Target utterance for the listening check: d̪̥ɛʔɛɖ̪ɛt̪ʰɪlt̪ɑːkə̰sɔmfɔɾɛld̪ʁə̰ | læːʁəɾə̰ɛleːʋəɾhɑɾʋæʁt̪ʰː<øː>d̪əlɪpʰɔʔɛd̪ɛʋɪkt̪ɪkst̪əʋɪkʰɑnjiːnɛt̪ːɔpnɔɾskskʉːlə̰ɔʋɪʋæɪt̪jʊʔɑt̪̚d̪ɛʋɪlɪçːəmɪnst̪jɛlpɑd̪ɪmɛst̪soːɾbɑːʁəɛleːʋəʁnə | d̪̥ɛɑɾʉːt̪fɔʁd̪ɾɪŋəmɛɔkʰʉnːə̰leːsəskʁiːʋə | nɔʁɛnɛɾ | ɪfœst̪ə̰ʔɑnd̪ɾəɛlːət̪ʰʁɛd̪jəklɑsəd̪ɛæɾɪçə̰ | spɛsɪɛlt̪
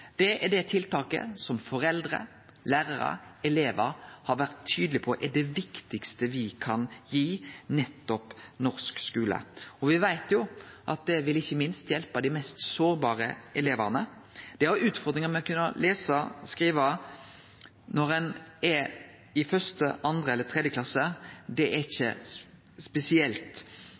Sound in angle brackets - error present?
yes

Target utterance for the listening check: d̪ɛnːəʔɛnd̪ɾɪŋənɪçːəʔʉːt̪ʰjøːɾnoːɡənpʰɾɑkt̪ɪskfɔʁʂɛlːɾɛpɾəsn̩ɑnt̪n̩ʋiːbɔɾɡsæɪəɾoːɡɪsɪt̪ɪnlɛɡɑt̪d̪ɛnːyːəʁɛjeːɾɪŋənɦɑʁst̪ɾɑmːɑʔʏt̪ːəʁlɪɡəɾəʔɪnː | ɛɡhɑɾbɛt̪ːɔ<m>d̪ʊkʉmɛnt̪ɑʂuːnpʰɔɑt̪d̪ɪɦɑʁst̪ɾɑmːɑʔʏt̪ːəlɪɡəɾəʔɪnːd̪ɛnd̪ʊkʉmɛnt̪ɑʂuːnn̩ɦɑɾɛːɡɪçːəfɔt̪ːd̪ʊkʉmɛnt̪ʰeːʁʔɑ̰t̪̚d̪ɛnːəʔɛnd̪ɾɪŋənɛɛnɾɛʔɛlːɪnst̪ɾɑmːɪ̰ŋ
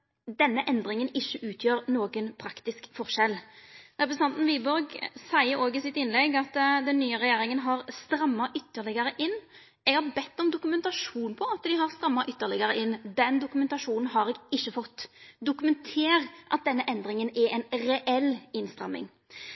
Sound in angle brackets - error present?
no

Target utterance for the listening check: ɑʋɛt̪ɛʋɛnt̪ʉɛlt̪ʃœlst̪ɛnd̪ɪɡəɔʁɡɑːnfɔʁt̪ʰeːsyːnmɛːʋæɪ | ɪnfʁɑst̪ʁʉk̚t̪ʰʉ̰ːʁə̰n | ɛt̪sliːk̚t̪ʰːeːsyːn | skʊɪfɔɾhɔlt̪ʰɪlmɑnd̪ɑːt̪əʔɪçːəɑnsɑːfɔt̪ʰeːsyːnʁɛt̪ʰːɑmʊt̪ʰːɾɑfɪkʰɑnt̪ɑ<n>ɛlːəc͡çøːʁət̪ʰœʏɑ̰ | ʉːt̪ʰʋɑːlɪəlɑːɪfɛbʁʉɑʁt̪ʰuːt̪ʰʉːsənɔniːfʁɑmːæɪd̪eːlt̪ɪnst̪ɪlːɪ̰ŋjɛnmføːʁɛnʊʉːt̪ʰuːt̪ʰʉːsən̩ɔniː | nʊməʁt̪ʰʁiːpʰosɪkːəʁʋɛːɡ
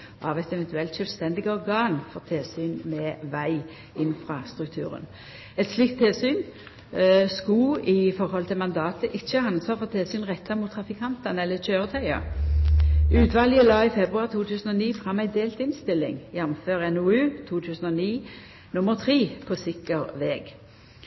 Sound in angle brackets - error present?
no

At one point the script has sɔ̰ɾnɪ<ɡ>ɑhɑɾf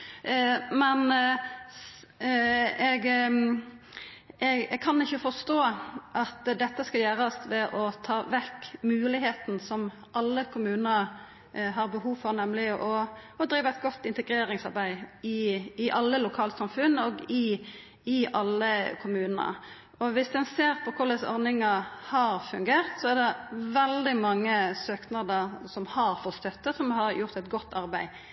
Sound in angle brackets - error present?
yes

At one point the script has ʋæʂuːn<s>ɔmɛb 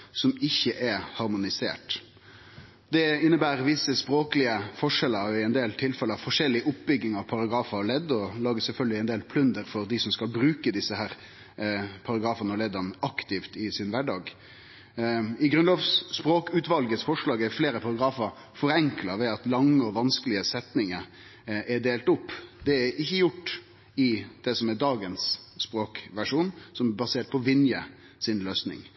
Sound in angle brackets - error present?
no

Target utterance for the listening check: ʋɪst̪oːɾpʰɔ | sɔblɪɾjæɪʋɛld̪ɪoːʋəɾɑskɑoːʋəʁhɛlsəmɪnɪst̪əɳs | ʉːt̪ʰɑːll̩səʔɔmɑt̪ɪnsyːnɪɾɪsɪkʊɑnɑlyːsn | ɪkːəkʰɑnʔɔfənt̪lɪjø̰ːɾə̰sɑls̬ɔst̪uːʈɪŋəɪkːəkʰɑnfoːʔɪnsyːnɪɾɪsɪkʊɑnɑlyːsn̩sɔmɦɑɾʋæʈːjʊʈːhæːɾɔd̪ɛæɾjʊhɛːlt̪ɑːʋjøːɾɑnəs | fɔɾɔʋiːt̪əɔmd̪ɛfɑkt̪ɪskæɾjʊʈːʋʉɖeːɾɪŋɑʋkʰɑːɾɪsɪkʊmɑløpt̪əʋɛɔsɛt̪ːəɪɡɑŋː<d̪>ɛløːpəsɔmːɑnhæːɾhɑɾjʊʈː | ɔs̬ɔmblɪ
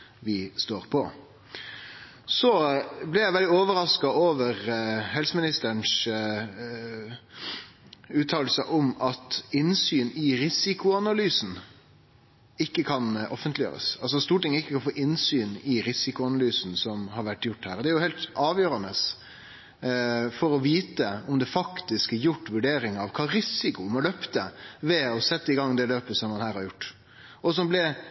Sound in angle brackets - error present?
no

